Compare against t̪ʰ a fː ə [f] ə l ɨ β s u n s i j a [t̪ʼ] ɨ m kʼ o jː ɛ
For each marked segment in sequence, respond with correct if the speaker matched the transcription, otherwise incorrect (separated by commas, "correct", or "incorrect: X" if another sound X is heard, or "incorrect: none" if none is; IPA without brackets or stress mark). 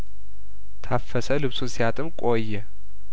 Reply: incorrect: s, correct